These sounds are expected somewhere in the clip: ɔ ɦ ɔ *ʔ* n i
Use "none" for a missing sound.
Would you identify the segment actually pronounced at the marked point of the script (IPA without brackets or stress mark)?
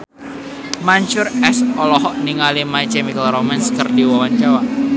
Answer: ʔ